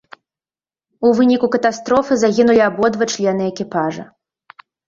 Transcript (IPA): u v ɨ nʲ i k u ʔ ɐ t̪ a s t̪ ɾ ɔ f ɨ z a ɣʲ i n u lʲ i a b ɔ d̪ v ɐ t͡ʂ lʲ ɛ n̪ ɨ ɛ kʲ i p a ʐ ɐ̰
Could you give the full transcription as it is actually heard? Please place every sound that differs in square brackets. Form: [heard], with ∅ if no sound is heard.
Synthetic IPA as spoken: u v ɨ nʲ i k u [k] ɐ t̪ a s t̪ ɾ ɔ f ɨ z a ɣʲ i n u lʲ i a b ɔ d̪ v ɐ t͡ʂ lʲ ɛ n̪ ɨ ɛ kʲ i p a ʐ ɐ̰